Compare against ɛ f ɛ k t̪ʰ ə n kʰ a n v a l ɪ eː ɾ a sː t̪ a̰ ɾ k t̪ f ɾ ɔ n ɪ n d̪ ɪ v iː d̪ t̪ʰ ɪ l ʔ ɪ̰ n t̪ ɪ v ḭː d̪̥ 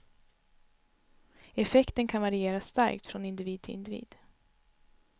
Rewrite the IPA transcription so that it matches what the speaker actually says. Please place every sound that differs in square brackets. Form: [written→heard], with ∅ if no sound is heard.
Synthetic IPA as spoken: ɛ f ɛ k [t̪ʰ→t̪] ə n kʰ a n v a [l→ɾ] ɪ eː ɾ a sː t̪ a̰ ɾ k t̪ f ɾ ɔ n ɪ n d̪ ɪ v iː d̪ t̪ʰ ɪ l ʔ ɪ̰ n [t̪→d̪] ɪ v ḭː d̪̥

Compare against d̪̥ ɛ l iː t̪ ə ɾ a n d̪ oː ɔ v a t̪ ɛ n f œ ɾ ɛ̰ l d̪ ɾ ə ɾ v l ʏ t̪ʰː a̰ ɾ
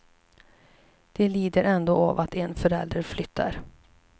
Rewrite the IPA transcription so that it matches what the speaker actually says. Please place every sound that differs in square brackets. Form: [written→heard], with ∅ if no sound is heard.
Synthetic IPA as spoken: d̪̥ ɛ l iː [t̪→d̪] ə ɾ [a→ɛ] n d̪ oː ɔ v a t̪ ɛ n f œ ɾ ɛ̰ l d̪ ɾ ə ɾ [v→f] l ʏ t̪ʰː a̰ ɾ

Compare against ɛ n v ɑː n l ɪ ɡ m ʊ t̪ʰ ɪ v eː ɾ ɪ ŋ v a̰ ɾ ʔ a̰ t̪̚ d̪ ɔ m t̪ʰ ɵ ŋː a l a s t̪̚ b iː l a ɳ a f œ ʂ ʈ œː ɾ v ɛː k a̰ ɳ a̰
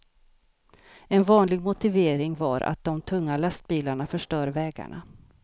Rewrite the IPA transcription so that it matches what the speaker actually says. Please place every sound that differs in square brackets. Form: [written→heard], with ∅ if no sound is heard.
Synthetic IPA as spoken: ɛ n v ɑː n l ɪ ɡ m ʊ [t̪ʰ→t̪] ɪ v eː ɾ ɪ ŋ v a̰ ɾ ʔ a̰ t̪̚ d̪ ɔ m t̪ʰ ɵ ŋː a l a s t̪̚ b iː l a ɳ a f œ ʂ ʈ œː ɾ v ɛː [k→ɡ] a̰ ɳ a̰

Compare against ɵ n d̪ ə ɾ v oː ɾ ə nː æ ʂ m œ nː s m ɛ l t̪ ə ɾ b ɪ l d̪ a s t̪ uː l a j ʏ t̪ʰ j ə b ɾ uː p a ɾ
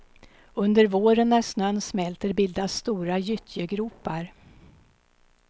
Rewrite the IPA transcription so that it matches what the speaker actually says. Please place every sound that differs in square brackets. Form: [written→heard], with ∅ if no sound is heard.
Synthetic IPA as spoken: ɵ n d̪ ə ɾ v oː ɾ ə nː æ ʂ [m→n] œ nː s m ɛ l t̪ ə ɾ b ɪ l d̪ a s t̪ uː [l→ɾ] a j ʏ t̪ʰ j ə [b→ɡ] ɾ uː p a ɾ

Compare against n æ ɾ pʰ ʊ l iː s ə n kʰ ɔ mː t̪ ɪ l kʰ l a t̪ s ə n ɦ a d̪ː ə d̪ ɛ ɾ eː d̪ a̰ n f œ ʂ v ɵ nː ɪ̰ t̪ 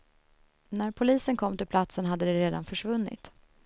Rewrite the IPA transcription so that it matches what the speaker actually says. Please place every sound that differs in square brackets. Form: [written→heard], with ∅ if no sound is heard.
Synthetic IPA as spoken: n æ ɾ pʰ ʊ l iː s ə n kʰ ɔ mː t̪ ɪ l [kʰ→pʰ] l a t̪ s ə n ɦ a d̪ː ə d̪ ɛ ɾ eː d̪ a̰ n f œ ʂ v ɵ nː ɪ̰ t̪

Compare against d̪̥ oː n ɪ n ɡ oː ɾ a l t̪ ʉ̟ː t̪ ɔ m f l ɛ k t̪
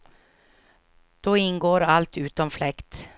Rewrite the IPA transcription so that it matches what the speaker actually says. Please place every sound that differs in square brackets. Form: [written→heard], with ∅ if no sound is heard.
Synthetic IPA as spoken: d̪̥ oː [n→∅] ɪ n ɡ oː ɾ a l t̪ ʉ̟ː t̪ ɔ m f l ɛ k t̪

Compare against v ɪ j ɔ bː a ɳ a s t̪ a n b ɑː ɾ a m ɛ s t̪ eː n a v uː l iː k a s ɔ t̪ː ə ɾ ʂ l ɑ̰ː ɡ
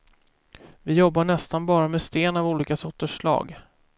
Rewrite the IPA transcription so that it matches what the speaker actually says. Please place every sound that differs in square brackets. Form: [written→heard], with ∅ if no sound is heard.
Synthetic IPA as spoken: v ɪ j ɔ bː a ɳ [a→ɛ] s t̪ a n b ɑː ɾ a m ɛ s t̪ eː n a v uː l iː k a s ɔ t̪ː ə [ɾ→∅] ʂ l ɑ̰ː ɡ

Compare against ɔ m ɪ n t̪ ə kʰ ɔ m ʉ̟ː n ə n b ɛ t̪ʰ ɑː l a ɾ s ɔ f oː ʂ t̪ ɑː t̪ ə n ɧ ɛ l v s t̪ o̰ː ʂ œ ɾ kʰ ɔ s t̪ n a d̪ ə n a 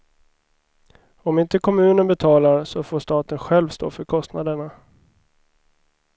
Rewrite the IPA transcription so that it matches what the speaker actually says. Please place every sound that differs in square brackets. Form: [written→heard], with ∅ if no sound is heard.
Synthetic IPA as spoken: ɔ m ɪ n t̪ ə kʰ ɔ m ʉ̟ː n ə n b ɛ t̪ʰ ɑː l a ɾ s ɔ f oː ʂ t̪ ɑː t̪ ə n ɧ ɛ l v s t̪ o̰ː [ʂ→f] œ ɾ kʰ ɔ s t̪ n a d̪ ə [n→ɳ] a

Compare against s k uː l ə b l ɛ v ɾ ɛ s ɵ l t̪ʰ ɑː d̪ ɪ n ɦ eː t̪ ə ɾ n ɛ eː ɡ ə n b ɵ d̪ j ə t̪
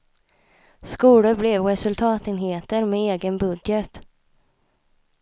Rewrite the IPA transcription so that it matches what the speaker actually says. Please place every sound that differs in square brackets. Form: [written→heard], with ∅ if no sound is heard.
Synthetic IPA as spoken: s k uː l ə b l ɛ v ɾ ɛ s ɵ l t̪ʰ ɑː [d̪→t̪] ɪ n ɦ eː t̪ ə ɾ [n→m] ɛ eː ɡ ə n b ɵ d̪ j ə t̪

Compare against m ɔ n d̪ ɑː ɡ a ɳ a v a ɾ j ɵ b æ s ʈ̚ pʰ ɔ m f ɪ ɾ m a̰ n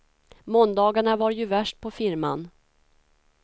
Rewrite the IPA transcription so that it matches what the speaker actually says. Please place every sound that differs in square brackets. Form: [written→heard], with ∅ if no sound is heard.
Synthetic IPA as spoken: m ɔ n d̪ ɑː ɡ a ɳ a v a ɾ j ɵ [b→v] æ [s→ʂ] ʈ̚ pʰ ɔ [m→∅] f ɪ ɾ m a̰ n

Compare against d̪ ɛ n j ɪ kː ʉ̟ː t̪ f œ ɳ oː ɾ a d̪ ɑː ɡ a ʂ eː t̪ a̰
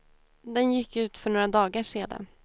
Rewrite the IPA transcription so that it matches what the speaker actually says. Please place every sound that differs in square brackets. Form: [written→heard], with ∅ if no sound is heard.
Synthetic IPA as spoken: d̪ ɛ n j ɪ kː ʉ̟ː t̪ f œ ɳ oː ɾ a d̪ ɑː ɡ a ʂ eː [t̪→d̪] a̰

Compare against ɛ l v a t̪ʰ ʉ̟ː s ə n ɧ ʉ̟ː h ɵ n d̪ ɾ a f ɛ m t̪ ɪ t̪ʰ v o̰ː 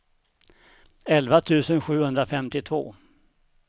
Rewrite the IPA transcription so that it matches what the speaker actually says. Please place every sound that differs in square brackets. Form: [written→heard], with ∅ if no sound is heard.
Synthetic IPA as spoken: ɛ l v a t̪ʰ ʉ̟ː s ə n ɧ ʉ̟ː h ɵ n d̪ ɾ a f ɛ m t̪ ɪ t̪ʰ v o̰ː

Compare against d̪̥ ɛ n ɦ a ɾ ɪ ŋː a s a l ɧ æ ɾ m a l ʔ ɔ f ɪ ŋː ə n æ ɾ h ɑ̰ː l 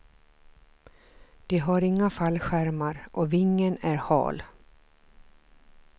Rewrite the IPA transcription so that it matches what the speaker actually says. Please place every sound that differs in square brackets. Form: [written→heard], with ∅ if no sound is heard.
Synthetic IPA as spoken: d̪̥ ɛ [n→∅] ɦ a ɾ ɪ ŋː a [s→f] a l ɧ æ ɾ m a [l→ɾ] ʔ ɔ [f→v] ɪ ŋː ə n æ ɾ h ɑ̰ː l

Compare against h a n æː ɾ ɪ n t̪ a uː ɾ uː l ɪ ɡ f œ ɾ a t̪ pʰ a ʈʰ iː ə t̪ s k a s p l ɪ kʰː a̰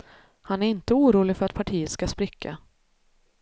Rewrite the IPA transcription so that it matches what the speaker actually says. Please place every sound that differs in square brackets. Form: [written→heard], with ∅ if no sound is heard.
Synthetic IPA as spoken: h a n [æː→æ] ɾ ɪ n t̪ [a→ə] uː ɾ uː l ɪ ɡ f œ ɾ a t̪ pʰ a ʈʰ iː ə t̪ s k a s p [l→ɾ] ɪ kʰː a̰

